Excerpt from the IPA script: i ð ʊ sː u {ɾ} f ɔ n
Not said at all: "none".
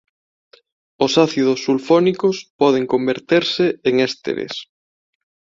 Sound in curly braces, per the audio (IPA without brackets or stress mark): l